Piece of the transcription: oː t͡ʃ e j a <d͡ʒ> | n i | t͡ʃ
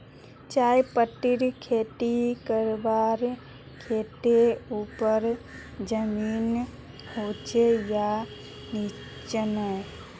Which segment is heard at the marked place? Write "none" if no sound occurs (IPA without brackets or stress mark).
none